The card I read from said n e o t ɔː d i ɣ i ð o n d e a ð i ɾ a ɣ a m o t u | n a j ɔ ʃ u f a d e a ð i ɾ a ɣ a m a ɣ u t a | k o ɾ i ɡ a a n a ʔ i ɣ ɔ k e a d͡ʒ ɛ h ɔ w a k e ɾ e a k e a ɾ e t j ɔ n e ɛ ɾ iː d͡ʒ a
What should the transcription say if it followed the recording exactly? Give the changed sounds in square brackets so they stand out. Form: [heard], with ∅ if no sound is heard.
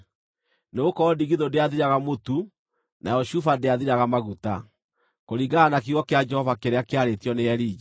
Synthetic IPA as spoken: n e o [k] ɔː d i ɣ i ð o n d e a ð i ɾ a ɣ a m o t u | n a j ɔ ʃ u f a d e a ð i ɾ a ɣ a m a ɣ u t a | k o ɾ i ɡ a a n a [k] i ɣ ɔ k e a d͡ʒ ɛ h ɔ [v] a k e ɾ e a k e a ɾ e t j ɔ n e ɛ ɾ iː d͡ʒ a